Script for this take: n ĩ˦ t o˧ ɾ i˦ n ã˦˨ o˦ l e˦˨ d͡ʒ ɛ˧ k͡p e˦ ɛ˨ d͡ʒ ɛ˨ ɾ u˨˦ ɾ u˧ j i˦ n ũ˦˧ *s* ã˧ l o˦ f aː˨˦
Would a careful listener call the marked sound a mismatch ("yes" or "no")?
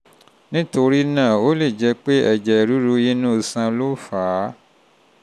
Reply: no